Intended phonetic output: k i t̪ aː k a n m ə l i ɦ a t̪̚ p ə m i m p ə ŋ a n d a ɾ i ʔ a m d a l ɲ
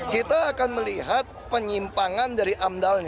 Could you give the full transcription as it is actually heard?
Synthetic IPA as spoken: k i t̪ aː k a n m ə l i ɦ a t̪̚ p ə ɲ i m p a ŋ a n d a ɾ i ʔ a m d a l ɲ